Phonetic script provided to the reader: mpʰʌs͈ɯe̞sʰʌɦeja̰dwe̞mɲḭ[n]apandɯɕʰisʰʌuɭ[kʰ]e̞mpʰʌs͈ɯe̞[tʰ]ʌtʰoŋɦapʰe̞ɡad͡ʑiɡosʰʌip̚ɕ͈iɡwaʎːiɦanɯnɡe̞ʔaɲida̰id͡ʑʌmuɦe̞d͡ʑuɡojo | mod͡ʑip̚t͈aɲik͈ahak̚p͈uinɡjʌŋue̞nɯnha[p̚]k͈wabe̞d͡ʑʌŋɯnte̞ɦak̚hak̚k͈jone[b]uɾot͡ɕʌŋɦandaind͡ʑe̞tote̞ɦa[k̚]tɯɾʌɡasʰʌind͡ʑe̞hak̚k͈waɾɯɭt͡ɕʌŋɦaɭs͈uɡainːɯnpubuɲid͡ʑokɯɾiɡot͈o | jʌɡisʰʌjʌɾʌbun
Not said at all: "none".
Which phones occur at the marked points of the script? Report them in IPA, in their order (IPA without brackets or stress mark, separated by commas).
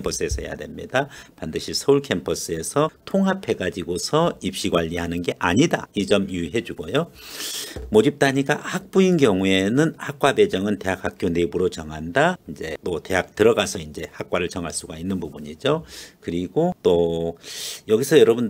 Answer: d, kʰ, sʰ, k̚, b, k̚